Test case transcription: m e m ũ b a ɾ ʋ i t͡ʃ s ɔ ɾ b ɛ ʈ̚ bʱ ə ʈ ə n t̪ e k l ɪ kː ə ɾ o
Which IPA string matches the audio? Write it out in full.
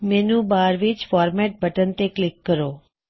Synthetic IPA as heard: m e n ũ b a ɾ ʋ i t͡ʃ f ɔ ɾ m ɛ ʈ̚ bʱ ə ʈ ə n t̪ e k l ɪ kː ə ɾ o